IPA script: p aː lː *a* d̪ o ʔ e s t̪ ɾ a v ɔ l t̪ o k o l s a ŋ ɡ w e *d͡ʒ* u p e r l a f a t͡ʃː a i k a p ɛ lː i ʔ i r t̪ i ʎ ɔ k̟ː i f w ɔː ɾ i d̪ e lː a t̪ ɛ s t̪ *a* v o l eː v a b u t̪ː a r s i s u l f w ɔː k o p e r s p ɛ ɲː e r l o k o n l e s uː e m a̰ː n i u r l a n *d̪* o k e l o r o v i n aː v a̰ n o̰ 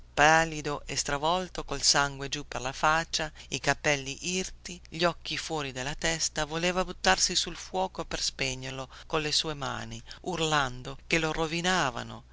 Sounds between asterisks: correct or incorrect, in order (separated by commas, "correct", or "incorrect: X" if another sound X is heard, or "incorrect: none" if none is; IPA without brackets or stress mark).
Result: incorrect: i, correct, correct, correct